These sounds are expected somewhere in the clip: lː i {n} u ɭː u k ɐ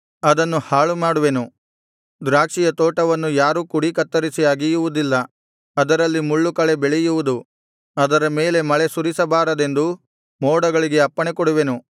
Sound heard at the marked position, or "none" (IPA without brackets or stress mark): m